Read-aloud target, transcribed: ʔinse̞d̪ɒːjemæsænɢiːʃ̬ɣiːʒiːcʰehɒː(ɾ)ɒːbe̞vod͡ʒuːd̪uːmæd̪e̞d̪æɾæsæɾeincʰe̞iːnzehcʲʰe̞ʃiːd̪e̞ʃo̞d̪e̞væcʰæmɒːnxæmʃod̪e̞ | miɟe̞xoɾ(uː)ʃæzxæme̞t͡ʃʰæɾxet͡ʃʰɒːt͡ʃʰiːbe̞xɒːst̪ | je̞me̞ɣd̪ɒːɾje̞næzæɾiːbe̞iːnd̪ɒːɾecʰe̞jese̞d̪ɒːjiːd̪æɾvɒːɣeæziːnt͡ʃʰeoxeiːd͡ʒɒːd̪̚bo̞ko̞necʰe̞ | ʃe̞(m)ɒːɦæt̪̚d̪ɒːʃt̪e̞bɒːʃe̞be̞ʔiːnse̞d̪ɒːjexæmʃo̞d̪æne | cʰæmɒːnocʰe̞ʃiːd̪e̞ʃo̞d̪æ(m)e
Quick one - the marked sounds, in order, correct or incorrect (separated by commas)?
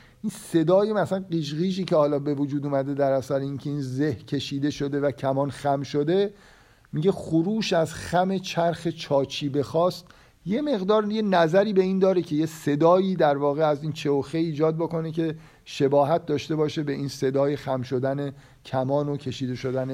incorrect, correct, incorrect, incorrect